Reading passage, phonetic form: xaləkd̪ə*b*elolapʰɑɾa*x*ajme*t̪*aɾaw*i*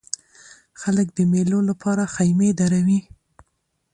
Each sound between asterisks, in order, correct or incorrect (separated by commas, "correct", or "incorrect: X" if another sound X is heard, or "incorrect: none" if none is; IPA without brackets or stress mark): incorrect: m, correct, incorrect: d̪, correct